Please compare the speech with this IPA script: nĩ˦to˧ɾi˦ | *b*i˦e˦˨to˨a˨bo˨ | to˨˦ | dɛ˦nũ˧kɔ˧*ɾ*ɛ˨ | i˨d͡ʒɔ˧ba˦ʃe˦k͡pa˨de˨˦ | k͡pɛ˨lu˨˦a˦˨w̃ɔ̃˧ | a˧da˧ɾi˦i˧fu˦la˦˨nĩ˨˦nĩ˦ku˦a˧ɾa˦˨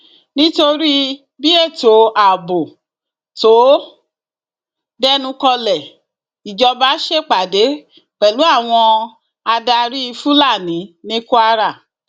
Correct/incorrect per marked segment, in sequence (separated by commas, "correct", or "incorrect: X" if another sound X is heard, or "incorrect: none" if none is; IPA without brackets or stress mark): correct, incorrect: l